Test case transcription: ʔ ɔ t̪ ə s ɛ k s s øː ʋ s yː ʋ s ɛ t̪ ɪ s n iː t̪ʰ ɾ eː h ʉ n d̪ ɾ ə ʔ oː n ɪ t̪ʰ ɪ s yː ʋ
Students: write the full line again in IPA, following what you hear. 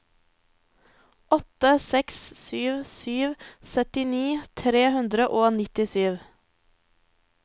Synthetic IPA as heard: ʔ ɔ t̪ ə s ɛ k s s yː ʋ s yː ʋ s œ t̪ ɪ n iː t̪ʰ ɾ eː h ʉ n d̪ ɾ ə ʔ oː n ɪ t̪ ɪ s yː ʋ

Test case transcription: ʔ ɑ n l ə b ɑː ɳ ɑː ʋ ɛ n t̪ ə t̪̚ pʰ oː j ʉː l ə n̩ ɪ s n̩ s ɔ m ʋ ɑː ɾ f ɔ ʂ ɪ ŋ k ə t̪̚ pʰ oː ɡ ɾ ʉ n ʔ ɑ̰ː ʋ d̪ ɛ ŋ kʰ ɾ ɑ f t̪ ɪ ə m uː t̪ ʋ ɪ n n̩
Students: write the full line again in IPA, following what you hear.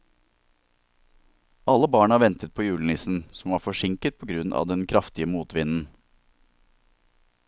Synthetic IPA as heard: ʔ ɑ l ə b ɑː ɳ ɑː ʋ ɛ n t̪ ə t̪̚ pʰ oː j ʉː l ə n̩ ɪ s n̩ s ɔ m ʋ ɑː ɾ f ɔ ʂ ɪ ŋ k ə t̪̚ pʰ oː ɡ ɾ ʉ n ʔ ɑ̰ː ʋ d̪ ɛ n kʰ ɾ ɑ f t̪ ɪ ə m uː t̪ ʋ ɪ n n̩

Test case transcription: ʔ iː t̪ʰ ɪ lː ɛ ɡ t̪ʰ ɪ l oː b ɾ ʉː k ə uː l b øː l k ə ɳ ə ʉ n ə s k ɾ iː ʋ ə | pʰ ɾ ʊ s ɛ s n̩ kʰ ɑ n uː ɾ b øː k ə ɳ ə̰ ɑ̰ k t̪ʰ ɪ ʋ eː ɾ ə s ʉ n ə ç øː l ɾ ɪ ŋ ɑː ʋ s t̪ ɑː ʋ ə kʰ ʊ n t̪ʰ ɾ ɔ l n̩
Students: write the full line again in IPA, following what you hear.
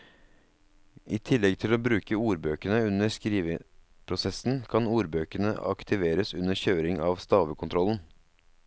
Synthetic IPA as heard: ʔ iː t̪ʰ ɪ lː ɛ ɡ t̪ʰ ɪ l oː b ɾ ʉː k ə uː ɾ b øː k ə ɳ ə ʉ n ə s k ɾ iː ʋ ə | pʰ ɾ ʊ s ɛ s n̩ kʰ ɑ n uː ɾ b øː k ə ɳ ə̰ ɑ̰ k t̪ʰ ɪ ʋ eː ɾ ə s ʉ n ə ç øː ɾ ɪ ŋ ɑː ʋ s t̪ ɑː ʋ ə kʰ ʊ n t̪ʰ ɾ ɔ l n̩

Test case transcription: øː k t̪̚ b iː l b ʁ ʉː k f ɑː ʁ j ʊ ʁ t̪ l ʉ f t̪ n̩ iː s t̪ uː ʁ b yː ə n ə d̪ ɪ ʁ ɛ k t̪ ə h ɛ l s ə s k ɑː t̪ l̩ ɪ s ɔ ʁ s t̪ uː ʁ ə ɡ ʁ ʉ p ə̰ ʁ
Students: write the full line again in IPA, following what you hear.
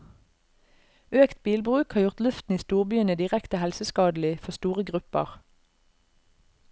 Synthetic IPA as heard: øː k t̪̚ b iː l b ʁ ʉː k h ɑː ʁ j ʊ ʁ t̪ l ʉ f t̪ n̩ iː s t̪ uː ʁ b yː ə n ə d̪ ɪ ʁ ɛ k t̪ ə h ɛ l s ə s k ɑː d̪ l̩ ɪ f ɔ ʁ s t̪ uː ʁ ə ɡ ʁ ʉ p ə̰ ʁ

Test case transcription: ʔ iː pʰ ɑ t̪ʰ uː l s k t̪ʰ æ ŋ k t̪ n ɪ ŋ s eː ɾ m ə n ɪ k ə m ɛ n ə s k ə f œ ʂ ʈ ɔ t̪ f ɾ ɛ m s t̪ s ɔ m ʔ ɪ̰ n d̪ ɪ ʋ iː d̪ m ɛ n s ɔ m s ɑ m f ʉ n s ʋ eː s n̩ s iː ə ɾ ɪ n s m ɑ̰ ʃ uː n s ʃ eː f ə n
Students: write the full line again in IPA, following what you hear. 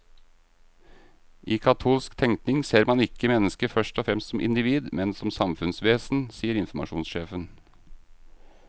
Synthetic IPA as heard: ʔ iː kʰ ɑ t̪ʰ uː l s k t̪ʰ ɛ ŋ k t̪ n ɪ ŋ s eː ɾ m ɑ n ɪ k ə m ɛ n ə s k ə f œ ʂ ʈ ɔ f ɾ ɛ m s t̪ s ɔ m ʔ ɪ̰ n d̪ ɪ ʋ iː d̪ m ɛ n s ɔ m s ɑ m f ʉ n s ʋ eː s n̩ s iː ə ɾ ɪ n f m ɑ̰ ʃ uː n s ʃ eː f ə n

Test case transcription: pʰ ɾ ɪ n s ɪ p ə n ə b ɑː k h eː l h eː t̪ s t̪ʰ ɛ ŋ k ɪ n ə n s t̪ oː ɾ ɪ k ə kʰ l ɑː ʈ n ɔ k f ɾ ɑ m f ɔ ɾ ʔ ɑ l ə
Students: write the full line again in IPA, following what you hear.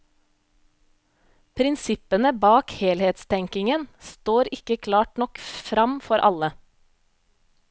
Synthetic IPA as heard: pʰ ɾ ɪ n s ɪ p ə n ə b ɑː k h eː l h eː t̪ s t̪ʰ ɛ ŋ k ɪ ŋ ə n s t̪ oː ɾ ɪ k ə kʰ l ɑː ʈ n ɔ k f ɾ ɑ m f ɔ ɾ ʔ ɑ l ə

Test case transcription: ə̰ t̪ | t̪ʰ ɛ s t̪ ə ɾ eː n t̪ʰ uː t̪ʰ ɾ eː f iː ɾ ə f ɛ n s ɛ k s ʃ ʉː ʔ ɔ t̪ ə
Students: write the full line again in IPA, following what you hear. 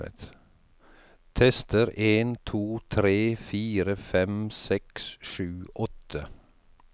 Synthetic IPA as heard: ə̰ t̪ | t̪ʰ ɛ s t̪ ə ɾ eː n t̪ʰ uː t̪ʰ ɾ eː f iː ɾ ə f ɛ m s ɛ k s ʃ ʉː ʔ ɔ t̪ ə

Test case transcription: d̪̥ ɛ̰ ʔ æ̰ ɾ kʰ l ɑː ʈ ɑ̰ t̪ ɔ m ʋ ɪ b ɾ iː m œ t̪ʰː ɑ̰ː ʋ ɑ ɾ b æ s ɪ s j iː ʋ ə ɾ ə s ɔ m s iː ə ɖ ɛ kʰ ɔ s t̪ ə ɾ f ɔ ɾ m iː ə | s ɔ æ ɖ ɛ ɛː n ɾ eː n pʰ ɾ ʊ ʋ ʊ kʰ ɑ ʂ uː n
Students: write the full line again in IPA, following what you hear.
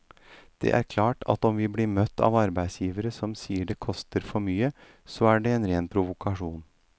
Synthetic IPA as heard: d̪̥ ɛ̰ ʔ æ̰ ɾ kʰ l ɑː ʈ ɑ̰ t̪ ɔ m ʋ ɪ b l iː m œ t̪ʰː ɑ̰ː ʋ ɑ ɾ b æ ɪ s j iː ʋ ə ɾ ə s ɔ m s iː ə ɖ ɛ kʰ ɔ s t̪ ə ɾ f ɔ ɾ m yː ə | s ɔ æ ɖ ɛ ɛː n ɾ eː n pʰ ɾ ʊ ʋ ʊ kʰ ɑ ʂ uː n

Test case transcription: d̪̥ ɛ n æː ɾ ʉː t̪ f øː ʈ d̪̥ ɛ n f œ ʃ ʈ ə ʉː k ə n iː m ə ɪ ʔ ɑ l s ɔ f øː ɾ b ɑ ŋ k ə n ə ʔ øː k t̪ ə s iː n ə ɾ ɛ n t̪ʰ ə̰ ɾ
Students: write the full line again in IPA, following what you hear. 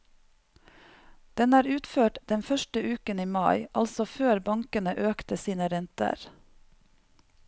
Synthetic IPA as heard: d̪̥ ɛ n æː ɾ ʉː t̪ f øː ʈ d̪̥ ɛ n f œ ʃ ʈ ə ʉː k ə n iː m ɑ ɪ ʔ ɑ l s ɔ f øː ɾ b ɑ ŋ k ə n ə ʔ øː k t̪ ə s iː n ə ɾ ɛ n t̪ ə̰ ɾ

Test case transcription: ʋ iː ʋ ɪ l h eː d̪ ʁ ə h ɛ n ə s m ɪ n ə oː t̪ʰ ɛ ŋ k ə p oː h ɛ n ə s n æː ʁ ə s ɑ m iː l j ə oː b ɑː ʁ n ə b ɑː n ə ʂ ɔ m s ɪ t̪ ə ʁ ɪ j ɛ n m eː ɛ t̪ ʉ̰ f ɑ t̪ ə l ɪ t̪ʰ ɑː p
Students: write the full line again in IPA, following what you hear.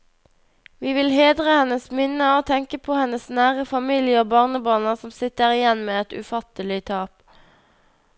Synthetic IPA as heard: ʋ iː ʋ ɪ l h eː d̪ ʁ ə h ɛ n ə s m ɪ n ə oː t̪ʰ ɛ ŋ k ə pʰ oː h ɛ n ə s n æː ʁ ə f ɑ m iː l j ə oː b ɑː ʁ n ə b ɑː n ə s ɔ m s ɪ t̪ ə ʁ ɪ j ɛ n m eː ɛ t̪ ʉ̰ f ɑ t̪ ə l ɪ t̪ʰ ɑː p

